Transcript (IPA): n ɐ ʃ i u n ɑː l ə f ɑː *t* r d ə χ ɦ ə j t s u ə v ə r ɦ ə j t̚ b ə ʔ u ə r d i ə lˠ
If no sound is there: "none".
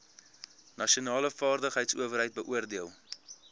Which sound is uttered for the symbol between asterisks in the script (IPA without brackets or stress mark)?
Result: none